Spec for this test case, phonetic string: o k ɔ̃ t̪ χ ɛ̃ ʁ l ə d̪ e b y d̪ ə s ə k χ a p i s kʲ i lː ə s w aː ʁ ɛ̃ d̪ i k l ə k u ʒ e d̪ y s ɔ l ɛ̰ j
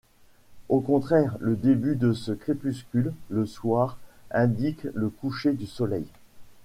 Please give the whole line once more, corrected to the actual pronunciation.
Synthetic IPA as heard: o k ɔ̃ t̪ χ ɛ ʁ l ə d̪ e b y d̪ ə s ə k χ e p y s kʲ y lː ə s w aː ʁ ɛ̃ d̪ i k l ə k u ʃ e d̪ y s ɔ l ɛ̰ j